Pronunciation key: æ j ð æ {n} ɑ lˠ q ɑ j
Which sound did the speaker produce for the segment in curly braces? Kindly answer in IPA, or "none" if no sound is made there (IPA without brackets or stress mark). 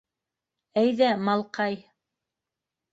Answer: m